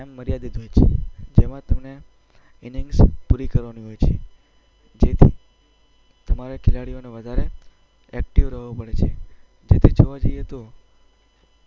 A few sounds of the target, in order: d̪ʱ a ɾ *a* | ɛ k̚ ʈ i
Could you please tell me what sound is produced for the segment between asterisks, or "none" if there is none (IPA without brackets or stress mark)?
e